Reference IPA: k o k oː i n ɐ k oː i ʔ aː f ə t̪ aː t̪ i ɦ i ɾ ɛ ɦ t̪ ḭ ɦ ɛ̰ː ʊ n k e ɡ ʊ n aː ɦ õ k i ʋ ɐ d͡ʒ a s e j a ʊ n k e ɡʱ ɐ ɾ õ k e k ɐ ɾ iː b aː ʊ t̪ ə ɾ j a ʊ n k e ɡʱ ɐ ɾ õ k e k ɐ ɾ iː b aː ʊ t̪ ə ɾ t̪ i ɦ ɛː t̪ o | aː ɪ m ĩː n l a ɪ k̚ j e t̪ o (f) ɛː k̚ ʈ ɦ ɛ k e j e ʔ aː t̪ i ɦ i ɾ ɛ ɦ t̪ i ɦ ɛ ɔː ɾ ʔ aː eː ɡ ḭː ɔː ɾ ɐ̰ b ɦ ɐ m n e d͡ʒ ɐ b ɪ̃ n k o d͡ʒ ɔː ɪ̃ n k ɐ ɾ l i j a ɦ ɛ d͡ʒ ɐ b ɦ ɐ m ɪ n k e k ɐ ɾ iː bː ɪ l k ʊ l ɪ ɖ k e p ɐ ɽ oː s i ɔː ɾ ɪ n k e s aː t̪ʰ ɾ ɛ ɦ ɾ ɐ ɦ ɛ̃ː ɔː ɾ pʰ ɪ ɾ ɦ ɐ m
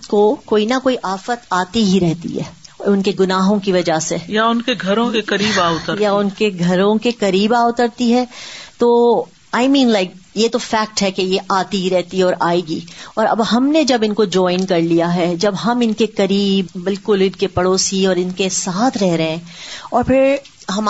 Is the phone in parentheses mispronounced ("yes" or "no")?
no